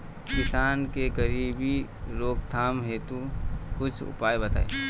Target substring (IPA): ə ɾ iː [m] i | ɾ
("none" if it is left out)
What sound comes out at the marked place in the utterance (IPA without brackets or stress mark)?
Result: b